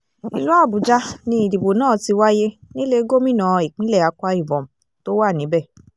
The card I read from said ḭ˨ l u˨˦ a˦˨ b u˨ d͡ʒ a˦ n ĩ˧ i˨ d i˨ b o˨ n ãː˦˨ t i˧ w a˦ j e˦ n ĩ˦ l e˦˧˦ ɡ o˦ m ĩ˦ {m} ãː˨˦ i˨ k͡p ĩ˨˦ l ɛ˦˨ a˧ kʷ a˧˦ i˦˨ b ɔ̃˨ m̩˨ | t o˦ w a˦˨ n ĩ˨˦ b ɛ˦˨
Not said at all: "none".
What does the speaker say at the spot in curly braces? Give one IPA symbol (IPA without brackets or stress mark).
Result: n